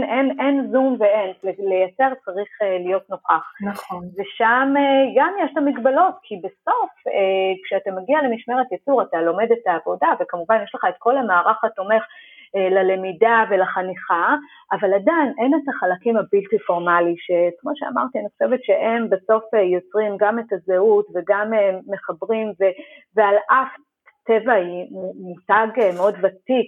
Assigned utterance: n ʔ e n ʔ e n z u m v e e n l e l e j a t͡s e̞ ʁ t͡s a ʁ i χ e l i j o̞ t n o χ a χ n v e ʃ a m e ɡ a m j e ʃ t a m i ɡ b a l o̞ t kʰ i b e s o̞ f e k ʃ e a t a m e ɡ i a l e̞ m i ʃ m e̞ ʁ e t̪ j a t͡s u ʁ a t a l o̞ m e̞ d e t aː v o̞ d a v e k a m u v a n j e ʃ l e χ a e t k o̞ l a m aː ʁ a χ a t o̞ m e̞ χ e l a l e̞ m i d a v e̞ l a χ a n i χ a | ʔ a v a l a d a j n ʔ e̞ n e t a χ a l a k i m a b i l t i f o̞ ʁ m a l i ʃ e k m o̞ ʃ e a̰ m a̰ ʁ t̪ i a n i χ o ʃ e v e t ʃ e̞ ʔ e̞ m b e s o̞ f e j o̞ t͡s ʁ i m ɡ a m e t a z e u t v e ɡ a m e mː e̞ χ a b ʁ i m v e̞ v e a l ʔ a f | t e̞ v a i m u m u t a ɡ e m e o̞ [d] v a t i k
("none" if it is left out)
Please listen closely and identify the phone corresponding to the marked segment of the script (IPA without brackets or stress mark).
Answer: d